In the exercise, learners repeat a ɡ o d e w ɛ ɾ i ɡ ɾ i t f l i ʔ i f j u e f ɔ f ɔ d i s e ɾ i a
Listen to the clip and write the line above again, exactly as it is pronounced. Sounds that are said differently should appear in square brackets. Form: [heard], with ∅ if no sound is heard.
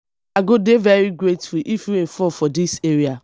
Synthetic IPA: a ɡ o d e [v] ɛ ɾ i ɡ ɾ [e] t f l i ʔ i f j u e f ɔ f ɔ d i s e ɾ i a

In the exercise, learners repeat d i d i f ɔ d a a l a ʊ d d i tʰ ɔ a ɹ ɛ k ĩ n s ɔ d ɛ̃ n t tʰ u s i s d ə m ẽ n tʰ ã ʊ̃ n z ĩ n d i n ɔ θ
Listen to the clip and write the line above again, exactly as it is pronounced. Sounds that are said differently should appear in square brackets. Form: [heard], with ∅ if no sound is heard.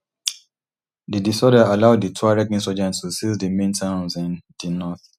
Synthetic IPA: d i d i [s] ɔ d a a l a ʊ d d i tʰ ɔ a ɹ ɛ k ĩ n s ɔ [d͡ʒ] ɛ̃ n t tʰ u s i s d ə m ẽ n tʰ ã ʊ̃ n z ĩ n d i n ɔ θ

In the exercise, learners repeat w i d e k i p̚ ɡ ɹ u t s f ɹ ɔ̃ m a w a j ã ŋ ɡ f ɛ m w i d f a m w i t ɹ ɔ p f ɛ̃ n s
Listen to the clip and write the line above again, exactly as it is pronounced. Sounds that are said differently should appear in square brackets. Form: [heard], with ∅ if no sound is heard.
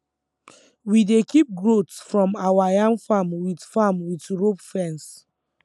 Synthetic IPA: w i d e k i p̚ ɡ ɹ [o] t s f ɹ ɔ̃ m a w a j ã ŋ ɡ f [a] m w i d f a m w i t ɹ [o] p f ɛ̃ n s

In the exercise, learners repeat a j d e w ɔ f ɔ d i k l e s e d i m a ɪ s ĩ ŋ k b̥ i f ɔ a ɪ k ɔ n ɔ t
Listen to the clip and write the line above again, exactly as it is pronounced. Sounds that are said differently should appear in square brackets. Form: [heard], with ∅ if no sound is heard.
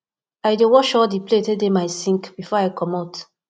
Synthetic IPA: a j d e w ɔ [ʃ] ɔ d i [p] l e [t] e d [e] m a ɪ s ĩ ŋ k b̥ i f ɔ a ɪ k ɔ [m] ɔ t

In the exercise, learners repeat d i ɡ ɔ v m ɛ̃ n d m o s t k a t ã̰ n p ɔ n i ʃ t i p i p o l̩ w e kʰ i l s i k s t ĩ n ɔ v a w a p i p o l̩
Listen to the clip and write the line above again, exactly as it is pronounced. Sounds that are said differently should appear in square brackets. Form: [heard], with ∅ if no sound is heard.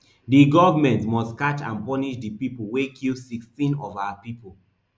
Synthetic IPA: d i ɡ ɔ v m ɛ̃ n [t] m [ɔ] s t k a [t͡ʃ] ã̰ n p ɔ n i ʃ [d] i p i p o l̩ w e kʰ i l s i k s t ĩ n ɔ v a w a p i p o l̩

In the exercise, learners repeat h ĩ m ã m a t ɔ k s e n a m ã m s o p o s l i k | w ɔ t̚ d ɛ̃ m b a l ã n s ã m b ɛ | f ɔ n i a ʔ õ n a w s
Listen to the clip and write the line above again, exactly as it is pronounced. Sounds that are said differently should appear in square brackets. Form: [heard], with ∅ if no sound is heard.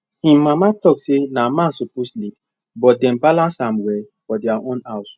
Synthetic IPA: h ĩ m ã m a t ɔ k s e n a m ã [n] s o p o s l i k | [b] ɔ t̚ d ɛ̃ m b a l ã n s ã m [w] ɛ | f ɔ [d] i a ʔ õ n a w s

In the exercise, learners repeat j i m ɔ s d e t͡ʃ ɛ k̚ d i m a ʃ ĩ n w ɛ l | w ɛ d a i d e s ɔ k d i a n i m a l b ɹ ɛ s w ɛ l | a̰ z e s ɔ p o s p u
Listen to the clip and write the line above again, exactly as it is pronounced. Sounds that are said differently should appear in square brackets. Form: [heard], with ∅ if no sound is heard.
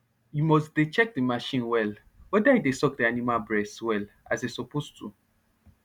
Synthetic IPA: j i m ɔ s d e t͡ʃ ɛ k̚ d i m a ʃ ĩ n w ɛ l | w ɛ d a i d e s ɔ k d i a n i m a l b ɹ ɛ s w ɛ l | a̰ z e s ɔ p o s [t] u

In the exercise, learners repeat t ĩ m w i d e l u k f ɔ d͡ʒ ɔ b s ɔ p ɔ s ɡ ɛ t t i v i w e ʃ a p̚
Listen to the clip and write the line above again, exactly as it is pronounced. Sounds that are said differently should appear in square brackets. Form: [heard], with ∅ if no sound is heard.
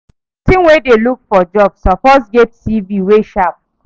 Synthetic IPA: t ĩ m w [e] d e l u k f ɔ d͡ʒ ɔ b s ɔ p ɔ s ɡ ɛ t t i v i w e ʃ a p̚

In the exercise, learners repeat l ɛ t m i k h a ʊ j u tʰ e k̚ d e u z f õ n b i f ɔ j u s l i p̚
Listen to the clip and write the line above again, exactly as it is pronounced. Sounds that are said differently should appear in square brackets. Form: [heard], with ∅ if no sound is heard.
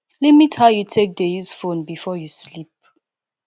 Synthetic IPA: l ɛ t m i [t] h a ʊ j u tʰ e k̚ d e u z f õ n b i f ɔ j u s l i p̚

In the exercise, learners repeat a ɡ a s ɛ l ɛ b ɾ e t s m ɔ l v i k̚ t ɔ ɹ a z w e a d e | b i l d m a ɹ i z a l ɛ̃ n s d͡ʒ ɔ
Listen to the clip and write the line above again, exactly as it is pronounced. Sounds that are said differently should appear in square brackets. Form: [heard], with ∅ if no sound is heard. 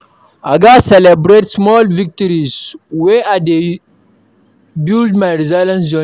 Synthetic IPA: a ɡ a s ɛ l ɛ b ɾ e t s m ɔ l v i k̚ t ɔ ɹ [i] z w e a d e | b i l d m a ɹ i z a l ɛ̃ n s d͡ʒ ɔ

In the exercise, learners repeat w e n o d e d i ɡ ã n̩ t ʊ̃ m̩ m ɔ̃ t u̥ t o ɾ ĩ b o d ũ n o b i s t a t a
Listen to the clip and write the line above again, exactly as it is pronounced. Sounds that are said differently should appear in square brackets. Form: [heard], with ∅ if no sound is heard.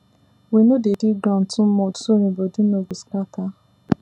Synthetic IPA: w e n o d e d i ɡ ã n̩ t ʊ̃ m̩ m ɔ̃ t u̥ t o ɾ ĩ b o d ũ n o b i s [k] a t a

